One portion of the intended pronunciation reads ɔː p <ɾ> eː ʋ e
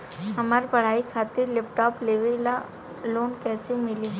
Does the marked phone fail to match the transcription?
yes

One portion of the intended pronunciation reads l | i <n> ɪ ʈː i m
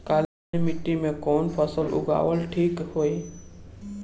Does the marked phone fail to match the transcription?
yes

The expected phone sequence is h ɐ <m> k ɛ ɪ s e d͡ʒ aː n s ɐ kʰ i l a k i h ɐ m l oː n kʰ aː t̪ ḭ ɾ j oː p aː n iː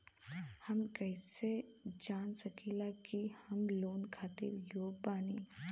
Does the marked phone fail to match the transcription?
no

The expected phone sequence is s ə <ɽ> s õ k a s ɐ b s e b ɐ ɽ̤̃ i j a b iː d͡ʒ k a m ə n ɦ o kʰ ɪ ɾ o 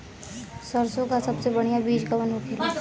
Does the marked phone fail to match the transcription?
yes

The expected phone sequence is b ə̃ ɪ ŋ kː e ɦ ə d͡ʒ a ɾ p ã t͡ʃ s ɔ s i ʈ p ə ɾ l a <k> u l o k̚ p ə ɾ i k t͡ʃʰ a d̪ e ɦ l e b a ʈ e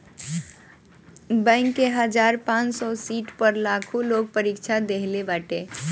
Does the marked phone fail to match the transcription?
yes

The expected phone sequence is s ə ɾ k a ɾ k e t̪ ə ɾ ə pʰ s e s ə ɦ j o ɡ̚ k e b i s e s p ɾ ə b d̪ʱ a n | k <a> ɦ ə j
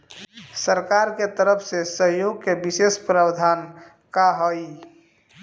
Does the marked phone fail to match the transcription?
no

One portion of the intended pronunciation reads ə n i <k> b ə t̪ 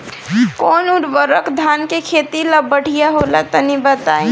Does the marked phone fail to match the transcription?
yes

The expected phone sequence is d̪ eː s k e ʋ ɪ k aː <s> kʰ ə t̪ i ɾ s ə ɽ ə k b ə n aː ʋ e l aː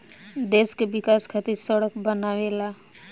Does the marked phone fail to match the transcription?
no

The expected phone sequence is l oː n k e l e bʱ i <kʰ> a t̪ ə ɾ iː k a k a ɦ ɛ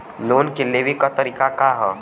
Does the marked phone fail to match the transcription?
yes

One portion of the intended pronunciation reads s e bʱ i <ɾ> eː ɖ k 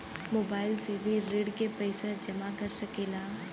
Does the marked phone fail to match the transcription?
no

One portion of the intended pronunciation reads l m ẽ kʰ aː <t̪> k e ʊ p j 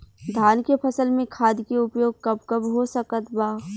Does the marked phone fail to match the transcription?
yes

